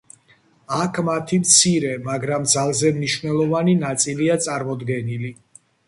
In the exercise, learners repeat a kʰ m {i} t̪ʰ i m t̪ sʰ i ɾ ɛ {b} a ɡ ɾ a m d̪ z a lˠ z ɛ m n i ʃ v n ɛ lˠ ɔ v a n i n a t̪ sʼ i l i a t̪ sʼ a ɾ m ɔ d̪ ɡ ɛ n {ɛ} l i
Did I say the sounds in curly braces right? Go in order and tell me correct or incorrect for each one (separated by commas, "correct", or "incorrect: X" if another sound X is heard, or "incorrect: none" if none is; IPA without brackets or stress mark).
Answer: incorrect: a, incorrect: m, incorrect: i